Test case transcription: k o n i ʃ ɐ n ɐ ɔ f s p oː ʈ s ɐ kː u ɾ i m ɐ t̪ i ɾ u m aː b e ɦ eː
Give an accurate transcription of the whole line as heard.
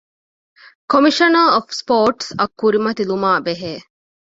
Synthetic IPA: k o m i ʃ ɐ n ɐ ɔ f s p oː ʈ s ɐ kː u ɾ i m ɐ t̪ i l u m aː b e ɦ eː